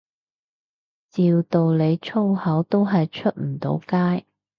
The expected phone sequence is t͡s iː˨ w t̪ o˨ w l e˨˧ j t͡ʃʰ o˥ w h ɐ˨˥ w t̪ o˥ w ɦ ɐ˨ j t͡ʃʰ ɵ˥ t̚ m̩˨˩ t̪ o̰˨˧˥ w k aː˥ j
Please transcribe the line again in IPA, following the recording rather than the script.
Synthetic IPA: t͡s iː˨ w t̪ o˨ w l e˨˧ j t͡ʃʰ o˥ w h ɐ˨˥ w t̪ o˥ w ɦ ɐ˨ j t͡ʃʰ ɵ˥ t̚ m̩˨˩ t̪ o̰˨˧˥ w k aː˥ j